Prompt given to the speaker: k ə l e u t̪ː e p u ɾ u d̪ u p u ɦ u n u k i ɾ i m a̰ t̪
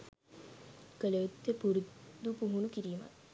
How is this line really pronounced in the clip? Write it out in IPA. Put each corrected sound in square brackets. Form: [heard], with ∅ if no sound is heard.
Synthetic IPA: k ə l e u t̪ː e p u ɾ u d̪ u p u ɦ u n u k i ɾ [iː] m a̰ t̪